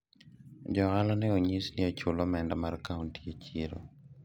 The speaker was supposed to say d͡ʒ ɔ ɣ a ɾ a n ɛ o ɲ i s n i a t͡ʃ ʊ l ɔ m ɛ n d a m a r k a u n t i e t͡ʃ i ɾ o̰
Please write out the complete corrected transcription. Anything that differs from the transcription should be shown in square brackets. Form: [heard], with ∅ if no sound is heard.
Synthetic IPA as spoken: d͡ʒ ɔ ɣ a [l] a n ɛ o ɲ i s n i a t͡ʃ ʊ l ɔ m ɛ n d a m a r k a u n t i e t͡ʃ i ɾ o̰